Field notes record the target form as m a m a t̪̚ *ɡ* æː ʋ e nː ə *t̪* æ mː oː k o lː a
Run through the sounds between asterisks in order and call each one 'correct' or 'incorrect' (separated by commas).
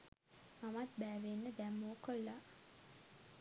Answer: incorrect, incorrect